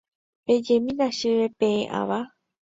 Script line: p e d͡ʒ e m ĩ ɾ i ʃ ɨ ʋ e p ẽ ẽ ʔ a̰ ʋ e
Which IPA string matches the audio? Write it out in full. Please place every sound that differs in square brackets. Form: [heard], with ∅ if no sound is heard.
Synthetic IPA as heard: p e d͡ʒ e m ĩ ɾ [a] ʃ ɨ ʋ e p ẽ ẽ ʔ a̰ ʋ [a]